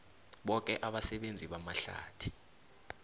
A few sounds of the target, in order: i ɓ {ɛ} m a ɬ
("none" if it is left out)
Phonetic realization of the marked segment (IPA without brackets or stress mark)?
a